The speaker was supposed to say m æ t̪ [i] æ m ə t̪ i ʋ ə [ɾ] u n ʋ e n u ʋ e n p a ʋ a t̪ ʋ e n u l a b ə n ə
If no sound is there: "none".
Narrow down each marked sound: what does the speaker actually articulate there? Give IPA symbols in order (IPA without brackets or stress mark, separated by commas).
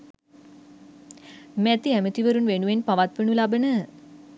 i, ɾ